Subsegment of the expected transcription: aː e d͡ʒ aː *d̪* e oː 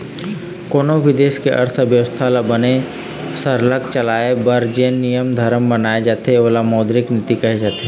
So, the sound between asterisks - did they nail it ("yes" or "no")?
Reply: no